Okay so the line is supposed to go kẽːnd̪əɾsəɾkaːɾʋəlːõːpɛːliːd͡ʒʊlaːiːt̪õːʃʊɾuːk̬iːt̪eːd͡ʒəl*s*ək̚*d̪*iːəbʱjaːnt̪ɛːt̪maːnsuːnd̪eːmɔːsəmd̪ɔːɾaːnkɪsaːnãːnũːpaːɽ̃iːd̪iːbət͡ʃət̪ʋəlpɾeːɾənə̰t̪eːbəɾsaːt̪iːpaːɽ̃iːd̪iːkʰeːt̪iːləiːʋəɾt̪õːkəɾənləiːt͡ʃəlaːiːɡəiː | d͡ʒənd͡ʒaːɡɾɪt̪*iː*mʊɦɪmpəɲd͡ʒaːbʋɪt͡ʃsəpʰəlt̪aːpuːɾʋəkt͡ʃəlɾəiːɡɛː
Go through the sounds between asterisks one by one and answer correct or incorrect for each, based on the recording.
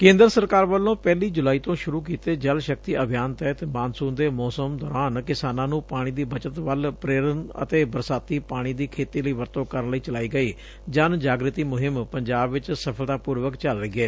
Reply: incorrect, incorrect, correct

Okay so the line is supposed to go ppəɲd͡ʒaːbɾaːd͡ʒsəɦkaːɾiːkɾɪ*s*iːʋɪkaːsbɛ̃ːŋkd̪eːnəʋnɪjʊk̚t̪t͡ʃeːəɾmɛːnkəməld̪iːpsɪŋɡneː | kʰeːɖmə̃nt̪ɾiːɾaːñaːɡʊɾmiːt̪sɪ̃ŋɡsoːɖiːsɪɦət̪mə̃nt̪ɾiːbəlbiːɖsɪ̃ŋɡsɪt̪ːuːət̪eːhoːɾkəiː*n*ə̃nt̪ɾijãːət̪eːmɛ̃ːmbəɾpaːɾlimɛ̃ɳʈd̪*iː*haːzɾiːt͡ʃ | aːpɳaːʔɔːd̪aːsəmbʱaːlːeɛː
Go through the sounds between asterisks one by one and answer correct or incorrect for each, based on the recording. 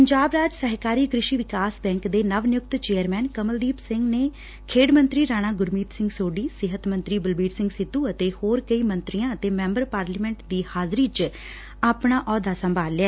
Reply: incorrect, incorrect, correct

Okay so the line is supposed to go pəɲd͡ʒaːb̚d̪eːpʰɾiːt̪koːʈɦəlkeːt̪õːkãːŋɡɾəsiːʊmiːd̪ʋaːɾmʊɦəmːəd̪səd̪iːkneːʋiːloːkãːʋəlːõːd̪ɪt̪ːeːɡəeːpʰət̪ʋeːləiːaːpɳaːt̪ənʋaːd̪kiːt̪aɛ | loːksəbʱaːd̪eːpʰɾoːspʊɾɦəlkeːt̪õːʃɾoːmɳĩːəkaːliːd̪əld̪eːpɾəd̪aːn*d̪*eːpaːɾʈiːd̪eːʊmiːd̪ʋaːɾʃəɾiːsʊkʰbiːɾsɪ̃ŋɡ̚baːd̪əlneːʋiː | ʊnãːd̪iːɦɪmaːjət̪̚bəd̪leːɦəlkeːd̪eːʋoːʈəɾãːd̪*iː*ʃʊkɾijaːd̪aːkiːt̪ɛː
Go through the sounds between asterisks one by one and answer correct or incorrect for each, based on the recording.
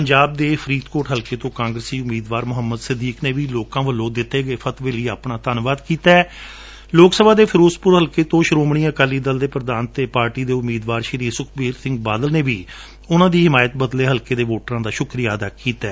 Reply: incorrect, incorrect

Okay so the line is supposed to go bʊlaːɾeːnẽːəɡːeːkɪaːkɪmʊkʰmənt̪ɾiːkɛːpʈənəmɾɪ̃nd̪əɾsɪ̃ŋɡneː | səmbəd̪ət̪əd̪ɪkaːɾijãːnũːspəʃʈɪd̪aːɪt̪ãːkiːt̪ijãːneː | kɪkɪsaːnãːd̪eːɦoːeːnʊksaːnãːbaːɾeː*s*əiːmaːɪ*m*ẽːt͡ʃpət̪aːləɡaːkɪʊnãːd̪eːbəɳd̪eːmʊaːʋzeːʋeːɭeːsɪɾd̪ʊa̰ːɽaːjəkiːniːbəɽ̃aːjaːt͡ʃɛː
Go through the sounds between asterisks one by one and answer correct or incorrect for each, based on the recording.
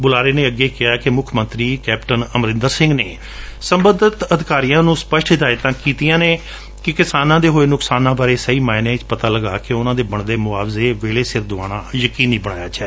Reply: correct, incorrect

